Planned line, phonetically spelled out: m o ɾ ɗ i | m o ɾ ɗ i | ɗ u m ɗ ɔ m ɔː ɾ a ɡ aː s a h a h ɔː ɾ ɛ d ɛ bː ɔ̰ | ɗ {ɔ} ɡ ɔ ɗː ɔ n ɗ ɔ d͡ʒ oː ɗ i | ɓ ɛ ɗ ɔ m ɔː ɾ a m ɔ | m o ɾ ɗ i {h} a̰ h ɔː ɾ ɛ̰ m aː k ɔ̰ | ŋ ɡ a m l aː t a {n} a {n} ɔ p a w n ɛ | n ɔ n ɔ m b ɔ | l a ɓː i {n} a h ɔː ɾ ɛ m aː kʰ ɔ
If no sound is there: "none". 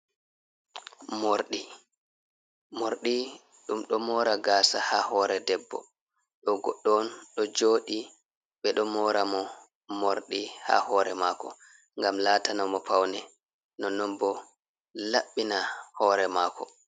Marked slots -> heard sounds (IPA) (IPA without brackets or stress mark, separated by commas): ɔ, h, n, m, n